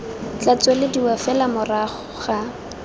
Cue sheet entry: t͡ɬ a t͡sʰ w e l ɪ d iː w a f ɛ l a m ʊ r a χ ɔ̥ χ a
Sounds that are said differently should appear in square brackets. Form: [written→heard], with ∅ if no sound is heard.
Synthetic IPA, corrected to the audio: t͡ɬ a [t͡sʰ→t͡s] w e l ɪ d [iː→i] w a f ɛ l a m ʊ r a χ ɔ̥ χ a